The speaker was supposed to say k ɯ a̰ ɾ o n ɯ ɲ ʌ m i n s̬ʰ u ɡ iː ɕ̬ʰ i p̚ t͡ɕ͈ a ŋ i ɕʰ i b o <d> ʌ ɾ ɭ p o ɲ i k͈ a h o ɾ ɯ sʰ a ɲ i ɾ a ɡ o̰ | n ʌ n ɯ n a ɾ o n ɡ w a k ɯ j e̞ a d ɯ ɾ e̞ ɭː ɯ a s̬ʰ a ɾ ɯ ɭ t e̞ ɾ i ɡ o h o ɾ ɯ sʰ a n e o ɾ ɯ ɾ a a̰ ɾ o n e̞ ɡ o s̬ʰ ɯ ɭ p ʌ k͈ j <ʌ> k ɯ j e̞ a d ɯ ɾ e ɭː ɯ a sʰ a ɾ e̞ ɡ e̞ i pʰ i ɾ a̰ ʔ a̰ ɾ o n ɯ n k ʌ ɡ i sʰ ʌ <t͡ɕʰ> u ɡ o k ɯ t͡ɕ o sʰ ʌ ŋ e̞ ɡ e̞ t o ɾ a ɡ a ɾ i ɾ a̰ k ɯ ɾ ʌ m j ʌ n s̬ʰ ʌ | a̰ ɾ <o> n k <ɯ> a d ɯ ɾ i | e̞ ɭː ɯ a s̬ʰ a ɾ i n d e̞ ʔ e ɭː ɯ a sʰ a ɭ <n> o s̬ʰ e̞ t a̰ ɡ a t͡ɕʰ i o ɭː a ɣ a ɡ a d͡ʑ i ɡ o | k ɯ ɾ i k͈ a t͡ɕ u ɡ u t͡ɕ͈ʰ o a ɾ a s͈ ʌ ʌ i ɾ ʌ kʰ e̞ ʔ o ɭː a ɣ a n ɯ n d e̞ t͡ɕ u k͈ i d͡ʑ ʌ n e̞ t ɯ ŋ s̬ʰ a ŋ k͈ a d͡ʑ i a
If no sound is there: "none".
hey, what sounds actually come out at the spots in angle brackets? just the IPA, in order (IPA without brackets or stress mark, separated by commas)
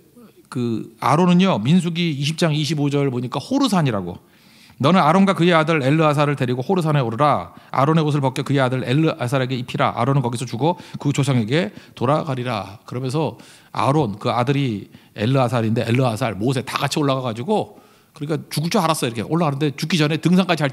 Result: d͡ʑ, ʌ, t͡ɕ, o, ɯ, m